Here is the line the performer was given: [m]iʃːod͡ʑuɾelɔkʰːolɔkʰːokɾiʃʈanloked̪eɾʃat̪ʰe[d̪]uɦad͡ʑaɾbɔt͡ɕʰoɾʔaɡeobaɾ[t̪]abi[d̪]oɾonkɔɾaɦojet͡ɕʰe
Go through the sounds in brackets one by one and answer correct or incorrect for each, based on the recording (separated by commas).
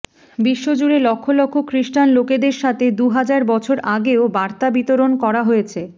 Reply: incorrect, correct, correct, incorrect